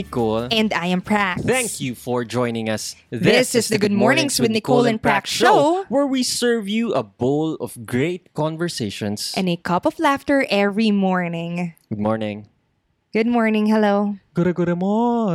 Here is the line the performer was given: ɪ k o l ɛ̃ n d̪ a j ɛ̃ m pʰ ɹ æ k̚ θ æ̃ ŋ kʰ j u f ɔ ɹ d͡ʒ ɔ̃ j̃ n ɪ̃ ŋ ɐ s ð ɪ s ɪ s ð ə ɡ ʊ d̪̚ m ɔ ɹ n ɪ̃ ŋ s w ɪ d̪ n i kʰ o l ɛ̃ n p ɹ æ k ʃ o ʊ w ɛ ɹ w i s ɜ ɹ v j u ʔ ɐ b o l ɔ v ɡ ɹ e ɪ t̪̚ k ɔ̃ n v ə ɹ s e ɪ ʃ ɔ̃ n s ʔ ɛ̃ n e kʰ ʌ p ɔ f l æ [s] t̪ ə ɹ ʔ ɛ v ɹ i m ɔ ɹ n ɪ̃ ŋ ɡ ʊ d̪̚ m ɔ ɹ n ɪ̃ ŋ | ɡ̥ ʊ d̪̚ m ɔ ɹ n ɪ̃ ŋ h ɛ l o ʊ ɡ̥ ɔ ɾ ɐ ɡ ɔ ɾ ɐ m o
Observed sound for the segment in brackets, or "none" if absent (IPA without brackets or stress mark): f